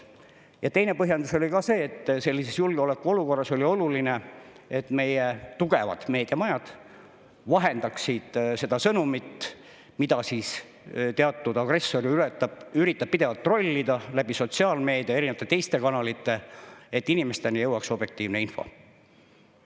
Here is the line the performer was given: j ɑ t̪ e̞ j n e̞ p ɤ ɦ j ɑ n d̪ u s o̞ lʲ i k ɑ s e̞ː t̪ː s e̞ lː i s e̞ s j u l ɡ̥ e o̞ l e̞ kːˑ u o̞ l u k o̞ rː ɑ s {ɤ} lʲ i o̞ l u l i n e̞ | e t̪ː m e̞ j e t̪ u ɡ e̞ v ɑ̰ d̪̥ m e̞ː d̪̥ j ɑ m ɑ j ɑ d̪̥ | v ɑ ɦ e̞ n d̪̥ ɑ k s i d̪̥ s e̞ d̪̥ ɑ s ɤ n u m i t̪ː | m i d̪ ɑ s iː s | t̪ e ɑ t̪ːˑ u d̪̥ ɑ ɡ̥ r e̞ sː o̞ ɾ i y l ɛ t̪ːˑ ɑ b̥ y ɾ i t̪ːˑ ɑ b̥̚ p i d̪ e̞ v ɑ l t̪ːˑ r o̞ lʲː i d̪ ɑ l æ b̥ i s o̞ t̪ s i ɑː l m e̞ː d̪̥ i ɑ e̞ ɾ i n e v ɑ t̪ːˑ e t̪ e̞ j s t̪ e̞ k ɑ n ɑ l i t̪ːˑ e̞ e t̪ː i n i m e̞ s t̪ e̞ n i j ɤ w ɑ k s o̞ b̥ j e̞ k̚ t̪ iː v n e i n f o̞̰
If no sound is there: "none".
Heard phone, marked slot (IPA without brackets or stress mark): o